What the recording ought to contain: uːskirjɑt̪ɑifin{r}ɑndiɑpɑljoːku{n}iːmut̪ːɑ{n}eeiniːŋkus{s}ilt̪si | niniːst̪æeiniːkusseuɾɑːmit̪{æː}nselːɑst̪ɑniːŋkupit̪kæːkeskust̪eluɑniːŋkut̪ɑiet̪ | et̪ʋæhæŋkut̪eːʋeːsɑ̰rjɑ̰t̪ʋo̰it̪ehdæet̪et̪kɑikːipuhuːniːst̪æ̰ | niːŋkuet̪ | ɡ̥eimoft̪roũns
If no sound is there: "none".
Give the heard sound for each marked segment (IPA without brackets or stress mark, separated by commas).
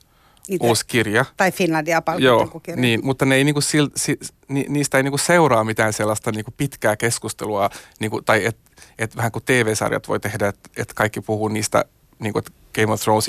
l, n, n, s, æː